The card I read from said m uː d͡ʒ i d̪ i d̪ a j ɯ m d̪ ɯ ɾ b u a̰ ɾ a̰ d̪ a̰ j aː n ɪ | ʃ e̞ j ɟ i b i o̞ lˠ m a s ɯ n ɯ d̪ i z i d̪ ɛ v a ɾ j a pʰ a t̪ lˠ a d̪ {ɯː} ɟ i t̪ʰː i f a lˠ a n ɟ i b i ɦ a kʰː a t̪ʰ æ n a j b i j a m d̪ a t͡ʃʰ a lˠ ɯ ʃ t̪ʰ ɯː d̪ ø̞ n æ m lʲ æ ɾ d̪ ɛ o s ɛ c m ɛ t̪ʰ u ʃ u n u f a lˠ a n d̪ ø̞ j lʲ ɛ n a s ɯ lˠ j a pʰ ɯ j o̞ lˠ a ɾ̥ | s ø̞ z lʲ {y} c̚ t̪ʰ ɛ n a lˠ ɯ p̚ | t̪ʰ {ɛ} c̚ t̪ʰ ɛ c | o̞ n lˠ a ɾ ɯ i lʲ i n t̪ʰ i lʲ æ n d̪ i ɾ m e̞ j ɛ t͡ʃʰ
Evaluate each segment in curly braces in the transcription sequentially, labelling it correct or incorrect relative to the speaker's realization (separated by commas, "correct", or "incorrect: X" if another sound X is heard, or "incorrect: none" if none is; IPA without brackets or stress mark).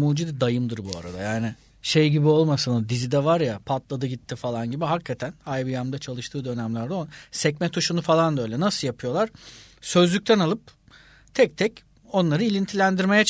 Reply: incorrect: ɯ, correct, correct